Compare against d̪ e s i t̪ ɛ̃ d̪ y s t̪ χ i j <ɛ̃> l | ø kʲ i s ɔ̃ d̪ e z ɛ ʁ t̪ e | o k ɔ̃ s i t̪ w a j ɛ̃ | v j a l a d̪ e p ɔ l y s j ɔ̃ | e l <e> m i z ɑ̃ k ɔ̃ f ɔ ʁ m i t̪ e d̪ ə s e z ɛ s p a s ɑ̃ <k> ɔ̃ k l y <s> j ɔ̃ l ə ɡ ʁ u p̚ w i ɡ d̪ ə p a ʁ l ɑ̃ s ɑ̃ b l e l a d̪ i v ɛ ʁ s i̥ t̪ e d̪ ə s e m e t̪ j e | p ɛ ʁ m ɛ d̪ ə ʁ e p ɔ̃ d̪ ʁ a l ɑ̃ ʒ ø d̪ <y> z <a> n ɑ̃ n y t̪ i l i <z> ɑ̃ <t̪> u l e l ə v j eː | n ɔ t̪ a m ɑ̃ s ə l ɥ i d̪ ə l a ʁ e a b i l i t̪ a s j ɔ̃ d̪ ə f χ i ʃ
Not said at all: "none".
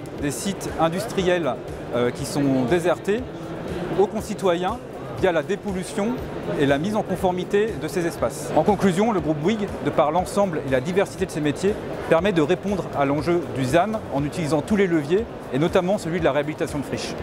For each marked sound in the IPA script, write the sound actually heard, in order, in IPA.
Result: ɛ, a, k, z, y, a, z, t̪

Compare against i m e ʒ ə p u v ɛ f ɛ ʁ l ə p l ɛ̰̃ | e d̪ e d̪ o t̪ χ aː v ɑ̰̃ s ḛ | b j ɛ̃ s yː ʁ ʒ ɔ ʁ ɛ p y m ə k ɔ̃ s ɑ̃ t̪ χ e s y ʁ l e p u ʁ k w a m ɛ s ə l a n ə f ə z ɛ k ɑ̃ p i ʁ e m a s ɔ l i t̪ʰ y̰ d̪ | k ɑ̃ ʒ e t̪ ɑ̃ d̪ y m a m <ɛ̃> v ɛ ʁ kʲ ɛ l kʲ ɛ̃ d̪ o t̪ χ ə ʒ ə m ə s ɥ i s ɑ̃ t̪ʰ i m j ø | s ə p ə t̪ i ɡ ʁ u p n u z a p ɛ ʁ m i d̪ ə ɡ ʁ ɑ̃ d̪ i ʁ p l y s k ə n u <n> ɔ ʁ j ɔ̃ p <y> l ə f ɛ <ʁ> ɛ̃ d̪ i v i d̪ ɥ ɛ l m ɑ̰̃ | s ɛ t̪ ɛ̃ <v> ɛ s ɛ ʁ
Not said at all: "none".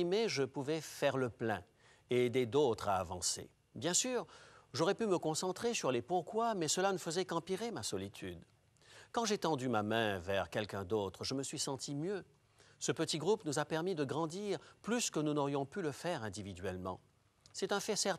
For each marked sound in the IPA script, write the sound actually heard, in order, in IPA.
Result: ɛ̃, n, y, ʁ, f

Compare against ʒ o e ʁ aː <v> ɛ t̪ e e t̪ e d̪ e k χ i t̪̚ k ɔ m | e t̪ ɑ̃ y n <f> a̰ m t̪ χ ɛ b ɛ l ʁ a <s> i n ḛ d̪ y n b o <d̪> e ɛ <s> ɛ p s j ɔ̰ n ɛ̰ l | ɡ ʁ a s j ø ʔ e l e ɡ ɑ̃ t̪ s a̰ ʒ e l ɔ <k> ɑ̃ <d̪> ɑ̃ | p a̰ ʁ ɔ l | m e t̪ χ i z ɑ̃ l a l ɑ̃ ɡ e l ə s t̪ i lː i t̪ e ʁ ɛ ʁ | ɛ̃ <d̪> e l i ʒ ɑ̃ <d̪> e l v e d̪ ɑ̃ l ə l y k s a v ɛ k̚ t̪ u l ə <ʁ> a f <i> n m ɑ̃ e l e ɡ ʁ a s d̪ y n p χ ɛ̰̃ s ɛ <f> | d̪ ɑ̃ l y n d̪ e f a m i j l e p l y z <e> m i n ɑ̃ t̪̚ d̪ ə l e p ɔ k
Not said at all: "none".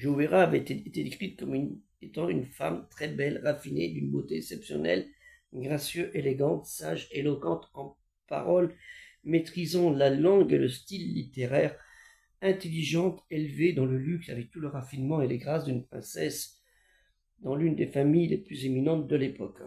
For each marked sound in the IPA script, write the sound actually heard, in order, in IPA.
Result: v, f, f, t̪, s, k, t̪, t̪, t̪, ʁ, i, s, e

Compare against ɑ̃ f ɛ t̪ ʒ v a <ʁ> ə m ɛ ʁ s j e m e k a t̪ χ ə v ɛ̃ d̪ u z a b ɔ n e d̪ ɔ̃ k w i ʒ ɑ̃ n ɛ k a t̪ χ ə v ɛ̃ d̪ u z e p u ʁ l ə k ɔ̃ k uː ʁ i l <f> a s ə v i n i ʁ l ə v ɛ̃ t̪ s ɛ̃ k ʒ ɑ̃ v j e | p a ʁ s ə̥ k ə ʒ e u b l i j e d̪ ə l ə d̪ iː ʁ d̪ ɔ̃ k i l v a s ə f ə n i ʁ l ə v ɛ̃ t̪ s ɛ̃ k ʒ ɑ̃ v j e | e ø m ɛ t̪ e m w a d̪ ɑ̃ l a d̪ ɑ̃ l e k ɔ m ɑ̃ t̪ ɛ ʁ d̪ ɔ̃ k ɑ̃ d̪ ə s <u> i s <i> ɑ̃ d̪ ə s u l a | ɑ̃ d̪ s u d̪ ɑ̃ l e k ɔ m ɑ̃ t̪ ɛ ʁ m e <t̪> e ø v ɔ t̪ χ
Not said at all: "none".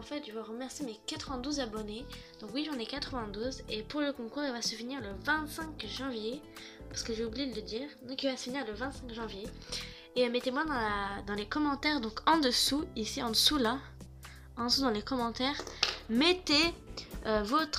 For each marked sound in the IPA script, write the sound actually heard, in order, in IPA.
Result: ʁ, v, u, i, t̪

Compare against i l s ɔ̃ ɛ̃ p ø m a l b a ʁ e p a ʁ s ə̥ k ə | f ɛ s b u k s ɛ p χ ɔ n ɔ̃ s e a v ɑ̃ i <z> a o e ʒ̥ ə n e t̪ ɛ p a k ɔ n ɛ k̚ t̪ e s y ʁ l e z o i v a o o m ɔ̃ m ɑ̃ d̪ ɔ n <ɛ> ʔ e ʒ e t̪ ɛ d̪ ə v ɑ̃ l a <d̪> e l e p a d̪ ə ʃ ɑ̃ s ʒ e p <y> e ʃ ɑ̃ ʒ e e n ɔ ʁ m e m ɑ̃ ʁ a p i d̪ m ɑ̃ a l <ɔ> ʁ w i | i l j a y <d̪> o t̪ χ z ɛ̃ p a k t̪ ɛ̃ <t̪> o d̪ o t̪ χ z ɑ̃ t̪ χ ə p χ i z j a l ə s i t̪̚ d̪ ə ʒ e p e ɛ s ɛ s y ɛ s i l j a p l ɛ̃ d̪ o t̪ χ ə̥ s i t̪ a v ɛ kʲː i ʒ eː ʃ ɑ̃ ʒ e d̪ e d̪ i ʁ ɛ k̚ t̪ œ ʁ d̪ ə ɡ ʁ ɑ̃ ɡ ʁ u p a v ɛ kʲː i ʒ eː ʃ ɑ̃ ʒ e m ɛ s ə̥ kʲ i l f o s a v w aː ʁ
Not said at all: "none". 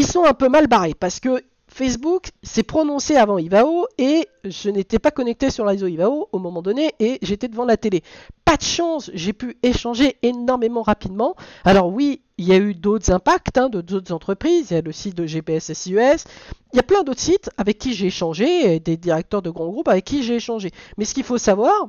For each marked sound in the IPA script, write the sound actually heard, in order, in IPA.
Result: v, e, t̪, y, ɔ, d̪, d̪

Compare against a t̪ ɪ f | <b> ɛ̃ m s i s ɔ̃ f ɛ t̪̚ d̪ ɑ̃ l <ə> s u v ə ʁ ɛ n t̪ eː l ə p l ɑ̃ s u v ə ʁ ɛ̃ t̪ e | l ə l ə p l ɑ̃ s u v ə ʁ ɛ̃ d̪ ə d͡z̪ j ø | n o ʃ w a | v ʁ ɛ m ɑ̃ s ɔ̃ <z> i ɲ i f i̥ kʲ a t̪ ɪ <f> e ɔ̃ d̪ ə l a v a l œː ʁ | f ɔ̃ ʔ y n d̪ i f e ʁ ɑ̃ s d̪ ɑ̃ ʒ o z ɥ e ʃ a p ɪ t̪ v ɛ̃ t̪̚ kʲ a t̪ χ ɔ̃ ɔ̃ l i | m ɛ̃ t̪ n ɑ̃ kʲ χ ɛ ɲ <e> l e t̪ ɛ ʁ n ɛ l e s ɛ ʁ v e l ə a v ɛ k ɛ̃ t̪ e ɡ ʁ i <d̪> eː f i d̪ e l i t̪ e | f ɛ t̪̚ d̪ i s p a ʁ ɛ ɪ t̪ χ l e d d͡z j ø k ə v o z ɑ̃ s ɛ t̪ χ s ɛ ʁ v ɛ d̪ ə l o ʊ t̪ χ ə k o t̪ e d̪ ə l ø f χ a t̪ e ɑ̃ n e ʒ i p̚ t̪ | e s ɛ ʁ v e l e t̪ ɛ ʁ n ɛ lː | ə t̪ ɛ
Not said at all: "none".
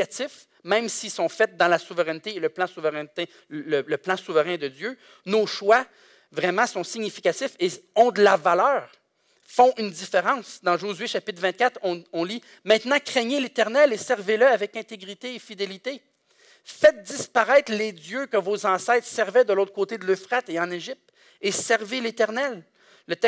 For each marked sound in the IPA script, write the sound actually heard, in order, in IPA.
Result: m, a, s, f, e, t̪

